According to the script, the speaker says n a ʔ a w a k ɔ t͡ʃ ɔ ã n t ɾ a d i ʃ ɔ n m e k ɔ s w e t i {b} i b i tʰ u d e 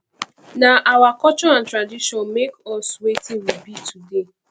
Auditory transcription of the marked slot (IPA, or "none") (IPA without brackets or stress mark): w